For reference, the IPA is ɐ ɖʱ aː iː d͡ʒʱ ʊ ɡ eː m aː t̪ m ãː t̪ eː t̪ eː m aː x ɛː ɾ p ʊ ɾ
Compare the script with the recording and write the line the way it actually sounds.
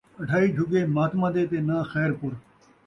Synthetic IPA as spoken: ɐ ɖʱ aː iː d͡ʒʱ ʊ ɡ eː m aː t̪ m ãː d̪ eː t̪ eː n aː x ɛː ɾ p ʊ ɾ